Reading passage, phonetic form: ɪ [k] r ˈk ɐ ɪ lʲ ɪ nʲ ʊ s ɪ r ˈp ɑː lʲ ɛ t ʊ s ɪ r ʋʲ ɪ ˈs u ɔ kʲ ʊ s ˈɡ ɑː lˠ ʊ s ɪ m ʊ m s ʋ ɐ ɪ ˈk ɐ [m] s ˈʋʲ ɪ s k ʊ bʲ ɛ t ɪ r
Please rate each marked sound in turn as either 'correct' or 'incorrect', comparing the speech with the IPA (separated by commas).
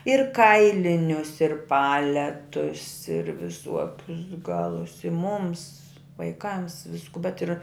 incorrect, correct